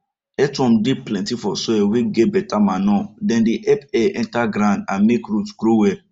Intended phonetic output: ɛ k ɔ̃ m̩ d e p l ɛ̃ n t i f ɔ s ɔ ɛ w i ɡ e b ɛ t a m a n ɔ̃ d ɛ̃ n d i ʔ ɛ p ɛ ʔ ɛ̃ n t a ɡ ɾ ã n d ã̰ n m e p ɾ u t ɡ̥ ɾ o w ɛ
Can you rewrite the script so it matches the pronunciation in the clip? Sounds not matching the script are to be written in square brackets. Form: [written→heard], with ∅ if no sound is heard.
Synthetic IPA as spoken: ɛ [k→t] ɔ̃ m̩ d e p l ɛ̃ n t i f ɔ s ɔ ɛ w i ɡ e b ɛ t a m a n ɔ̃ d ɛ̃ n d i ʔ ɛ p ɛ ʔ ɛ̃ n t a ɡ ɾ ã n d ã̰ n m e [p→k] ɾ u t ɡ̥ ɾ o w ɛ

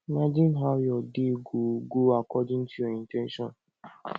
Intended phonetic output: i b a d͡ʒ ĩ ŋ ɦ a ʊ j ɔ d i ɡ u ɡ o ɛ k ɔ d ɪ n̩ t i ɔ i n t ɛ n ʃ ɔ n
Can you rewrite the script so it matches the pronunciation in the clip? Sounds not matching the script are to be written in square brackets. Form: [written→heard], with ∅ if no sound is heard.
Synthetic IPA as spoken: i [b→m] a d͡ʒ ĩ [ŋ→n] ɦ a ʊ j ɔ d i ɡ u ɡ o [ɛ→a] k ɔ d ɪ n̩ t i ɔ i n t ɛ n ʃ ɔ n

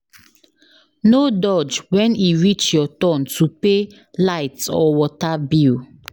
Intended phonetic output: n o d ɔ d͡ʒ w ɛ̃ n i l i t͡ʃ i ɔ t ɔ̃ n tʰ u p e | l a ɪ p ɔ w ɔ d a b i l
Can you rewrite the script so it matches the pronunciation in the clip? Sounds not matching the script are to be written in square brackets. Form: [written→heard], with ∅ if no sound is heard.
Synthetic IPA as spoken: n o d ɔ d͡ʒ w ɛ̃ n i [l→ɹ] i t͡ʃ [i→j] ɔ t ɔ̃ n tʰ u p e | l a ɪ [p→t] ɔ w ɔ [d→t] a b i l

